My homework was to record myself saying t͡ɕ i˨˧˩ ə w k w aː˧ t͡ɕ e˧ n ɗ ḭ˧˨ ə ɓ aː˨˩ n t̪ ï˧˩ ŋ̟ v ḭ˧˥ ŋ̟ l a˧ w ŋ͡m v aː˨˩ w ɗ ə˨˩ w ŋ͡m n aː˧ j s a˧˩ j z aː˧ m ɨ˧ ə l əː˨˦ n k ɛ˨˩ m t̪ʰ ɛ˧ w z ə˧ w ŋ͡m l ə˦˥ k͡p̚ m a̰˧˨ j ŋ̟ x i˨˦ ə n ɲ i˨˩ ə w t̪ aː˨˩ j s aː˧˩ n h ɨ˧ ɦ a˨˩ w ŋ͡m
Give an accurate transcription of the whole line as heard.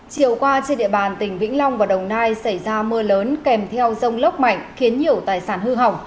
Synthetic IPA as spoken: t͡ɕ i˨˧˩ ə w k w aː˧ t͡ɕ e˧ n ɗ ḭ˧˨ ə ɓ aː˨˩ n t̪ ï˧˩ ŋ̟ v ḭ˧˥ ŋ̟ l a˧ w ŋ͡m v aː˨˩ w ɗ ə˨˩ w ŋ͡m n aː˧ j s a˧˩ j z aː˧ m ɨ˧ ə l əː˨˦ n k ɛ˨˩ m t̪ʰ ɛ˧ w z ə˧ w ŋ͡m l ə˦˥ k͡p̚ m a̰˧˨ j ŋ̟ x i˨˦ ə n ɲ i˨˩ ə w t̪ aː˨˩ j s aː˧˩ n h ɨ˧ ɦ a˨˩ w ŋ͡m